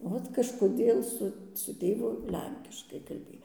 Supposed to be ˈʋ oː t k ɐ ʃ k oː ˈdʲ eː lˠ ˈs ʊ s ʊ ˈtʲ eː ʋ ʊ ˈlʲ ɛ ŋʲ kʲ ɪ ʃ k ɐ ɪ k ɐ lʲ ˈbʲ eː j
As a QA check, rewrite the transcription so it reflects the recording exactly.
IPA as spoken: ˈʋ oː t k ɐ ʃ k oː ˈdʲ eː lˠ ˈs ʊ s ʊ ˈtʲ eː ʋ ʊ ˈlʲ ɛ ŋʲ kʲ ɪ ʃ k ɐ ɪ k ɐ lʲ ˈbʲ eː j